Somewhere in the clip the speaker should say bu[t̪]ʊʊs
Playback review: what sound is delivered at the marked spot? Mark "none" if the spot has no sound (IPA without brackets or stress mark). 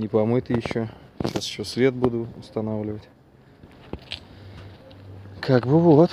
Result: d̪